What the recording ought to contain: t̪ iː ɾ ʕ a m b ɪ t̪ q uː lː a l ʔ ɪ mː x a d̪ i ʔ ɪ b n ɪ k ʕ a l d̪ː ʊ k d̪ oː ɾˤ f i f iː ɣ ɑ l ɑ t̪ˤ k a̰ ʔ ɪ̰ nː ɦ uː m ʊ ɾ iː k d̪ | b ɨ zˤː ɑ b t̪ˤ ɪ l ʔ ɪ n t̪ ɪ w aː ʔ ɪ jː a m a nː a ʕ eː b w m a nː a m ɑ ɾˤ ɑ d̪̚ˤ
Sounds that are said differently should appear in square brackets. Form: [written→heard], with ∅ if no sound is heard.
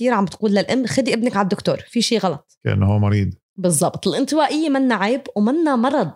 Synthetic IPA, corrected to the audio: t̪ iː ɾ ʕ a m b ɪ t̪ q uː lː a l ʔ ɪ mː x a d̪ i ʔ ɪ b n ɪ k ʕ a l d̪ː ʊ k [d̪→t̪] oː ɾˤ f i [f→ʃ] iː ɣ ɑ l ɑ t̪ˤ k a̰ ʔ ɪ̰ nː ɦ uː m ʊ ɾ iː [k→∅] d̪ | b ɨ zˤː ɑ b t̪ˤ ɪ l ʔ ɪ n t̪ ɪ w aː ʔ ɪ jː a m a nː a ʕ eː b w m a nː a m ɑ ɾˤ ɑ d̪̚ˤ